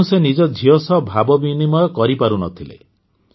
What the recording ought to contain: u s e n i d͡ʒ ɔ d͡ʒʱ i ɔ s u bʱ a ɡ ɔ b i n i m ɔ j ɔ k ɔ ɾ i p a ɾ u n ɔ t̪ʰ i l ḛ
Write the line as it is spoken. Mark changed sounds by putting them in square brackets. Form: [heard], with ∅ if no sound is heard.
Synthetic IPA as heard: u s e n i d͡ʒ ɔ d͡ʒʱ i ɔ s [ɔ] bʱ a [b] ɔ b i n i m ɔ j ɔ k ɔ ɾ i p a ɾ u n ɔ t̪ʰ i l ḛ